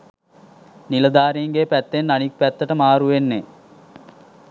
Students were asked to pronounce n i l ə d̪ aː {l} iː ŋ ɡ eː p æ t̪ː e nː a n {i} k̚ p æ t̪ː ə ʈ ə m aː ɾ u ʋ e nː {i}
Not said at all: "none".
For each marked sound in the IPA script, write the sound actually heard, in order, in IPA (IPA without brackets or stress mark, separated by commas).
ɾ, i, e